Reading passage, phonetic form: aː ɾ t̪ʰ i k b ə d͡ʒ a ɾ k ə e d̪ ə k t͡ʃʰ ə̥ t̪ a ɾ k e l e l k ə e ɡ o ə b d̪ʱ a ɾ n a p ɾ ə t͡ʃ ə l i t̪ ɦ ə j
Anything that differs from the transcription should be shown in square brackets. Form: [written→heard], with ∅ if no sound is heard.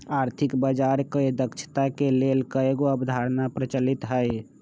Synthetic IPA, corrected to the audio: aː ɾ t̪ʰ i k b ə d͡ʒ a ɾ k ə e d̪ ə k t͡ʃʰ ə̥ t̪ a [ɾ→∅] k e l e l k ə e ɡ o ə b d̪ʱ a ɾ n a p ɾ ə t͡ʃ ə l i t̪ ɦ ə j